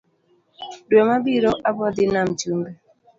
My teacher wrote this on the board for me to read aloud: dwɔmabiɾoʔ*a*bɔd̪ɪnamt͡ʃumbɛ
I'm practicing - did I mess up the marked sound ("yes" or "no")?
no